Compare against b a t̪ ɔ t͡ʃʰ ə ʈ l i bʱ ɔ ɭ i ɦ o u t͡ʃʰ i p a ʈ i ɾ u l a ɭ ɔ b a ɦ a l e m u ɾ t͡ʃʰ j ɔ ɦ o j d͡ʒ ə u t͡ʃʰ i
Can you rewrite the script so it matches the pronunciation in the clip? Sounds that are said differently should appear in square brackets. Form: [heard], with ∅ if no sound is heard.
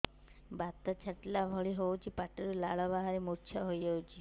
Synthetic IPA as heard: b a t̪ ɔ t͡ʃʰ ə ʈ l [a] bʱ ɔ ɭ i ɦ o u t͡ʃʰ i p a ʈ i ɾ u l a ɭ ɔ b a ɦ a [ɾ] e m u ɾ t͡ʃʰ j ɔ ɦ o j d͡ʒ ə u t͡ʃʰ i